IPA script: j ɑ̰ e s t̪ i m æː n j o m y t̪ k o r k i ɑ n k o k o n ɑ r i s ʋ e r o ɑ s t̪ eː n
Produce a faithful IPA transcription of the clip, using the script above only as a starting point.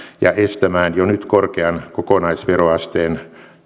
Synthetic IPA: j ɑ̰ e s t̪ æ m æː n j o n y t̪ k o r k e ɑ n k o k o n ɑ i s ʋ e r o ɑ s t̪ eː n